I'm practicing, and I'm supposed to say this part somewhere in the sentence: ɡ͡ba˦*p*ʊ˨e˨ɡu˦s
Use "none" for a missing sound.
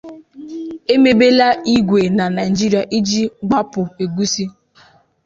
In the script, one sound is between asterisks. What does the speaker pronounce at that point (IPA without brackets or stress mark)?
p